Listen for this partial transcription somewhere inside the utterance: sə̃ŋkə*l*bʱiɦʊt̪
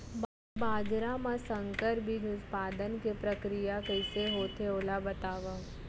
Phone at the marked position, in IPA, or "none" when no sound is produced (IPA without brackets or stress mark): ɾ